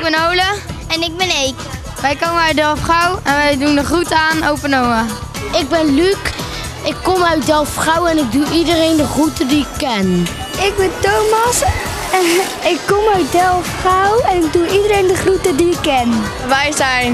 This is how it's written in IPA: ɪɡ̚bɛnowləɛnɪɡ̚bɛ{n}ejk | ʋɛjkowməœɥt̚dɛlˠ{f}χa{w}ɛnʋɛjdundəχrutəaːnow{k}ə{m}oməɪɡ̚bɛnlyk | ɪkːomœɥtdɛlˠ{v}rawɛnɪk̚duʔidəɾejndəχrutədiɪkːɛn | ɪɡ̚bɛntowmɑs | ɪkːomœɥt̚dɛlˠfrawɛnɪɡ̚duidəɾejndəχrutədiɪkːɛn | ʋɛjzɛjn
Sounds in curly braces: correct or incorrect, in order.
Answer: correct, correct, correct, incorrect: p, incorrect: n, incorrect: f

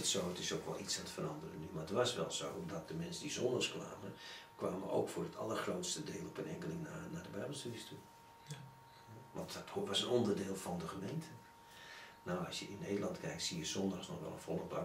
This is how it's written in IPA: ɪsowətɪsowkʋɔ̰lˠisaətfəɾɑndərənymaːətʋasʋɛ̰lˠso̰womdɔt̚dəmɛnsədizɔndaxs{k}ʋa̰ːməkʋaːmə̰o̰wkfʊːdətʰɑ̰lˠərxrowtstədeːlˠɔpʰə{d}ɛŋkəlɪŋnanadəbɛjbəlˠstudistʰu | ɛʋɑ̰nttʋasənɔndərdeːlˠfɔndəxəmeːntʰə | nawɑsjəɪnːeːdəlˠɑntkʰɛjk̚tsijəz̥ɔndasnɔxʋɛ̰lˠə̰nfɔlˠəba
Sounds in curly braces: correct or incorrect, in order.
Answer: correct, incorrect: n

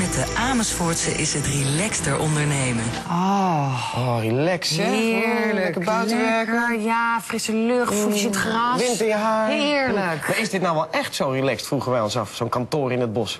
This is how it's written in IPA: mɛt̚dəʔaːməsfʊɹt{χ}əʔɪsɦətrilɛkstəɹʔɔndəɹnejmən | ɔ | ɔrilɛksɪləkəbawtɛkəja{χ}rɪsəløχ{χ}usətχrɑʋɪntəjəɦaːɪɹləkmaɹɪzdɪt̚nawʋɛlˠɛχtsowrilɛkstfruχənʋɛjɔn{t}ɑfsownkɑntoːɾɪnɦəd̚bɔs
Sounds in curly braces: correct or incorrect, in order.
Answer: incorrect: s, incorrect: f, incorrect: f, incorrect: s

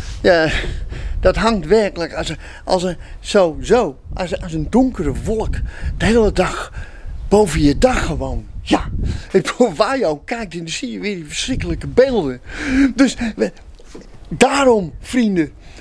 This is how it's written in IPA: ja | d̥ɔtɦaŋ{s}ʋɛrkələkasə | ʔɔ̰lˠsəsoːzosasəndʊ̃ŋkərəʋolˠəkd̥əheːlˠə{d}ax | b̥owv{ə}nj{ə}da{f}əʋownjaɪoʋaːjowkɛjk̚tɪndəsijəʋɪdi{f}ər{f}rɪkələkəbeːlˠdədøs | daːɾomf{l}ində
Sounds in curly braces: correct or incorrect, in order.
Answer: incorrect: t, correct, correct, correct, incorrect: x, correct, incorrect: s, incorrect: r

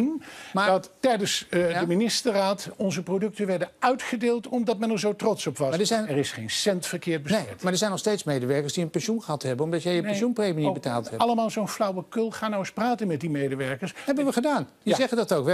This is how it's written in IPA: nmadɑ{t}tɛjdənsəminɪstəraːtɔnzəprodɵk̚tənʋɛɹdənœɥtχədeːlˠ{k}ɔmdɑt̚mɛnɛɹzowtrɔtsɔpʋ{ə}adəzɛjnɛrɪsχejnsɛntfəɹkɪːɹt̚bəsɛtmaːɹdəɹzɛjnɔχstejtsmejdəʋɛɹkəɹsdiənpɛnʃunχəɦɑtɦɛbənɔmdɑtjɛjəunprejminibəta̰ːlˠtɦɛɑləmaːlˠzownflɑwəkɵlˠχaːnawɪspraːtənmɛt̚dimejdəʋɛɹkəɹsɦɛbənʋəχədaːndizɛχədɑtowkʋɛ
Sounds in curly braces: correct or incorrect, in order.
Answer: correct, incorrect: t, incorrect: ɑ

